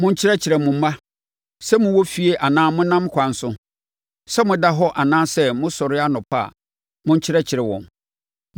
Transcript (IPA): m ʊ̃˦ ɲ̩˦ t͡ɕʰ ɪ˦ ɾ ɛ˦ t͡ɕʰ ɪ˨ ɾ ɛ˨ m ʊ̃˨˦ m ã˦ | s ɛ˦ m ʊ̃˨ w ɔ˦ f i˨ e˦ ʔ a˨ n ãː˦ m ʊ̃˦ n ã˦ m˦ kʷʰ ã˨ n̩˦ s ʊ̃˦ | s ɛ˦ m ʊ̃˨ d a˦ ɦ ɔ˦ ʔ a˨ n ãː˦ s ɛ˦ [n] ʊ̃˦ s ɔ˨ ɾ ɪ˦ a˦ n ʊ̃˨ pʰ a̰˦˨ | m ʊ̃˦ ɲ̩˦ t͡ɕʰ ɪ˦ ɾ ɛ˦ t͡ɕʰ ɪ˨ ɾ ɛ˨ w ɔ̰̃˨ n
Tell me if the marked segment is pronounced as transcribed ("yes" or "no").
no